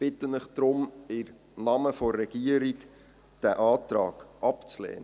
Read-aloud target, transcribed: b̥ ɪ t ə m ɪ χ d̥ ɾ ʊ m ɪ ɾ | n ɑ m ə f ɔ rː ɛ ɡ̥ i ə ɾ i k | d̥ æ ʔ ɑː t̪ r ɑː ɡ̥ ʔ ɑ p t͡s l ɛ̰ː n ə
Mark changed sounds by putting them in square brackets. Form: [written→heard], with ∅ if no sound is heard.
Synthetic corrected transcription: b̥ ɪ t ə [m→n] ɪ χ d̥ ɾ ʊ m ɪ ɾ | n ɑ m ə f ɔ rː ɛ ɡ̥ i ə ɾ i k | d̥ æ ʔ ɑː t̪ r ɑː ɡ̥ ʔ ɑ p t͡s l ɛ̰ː n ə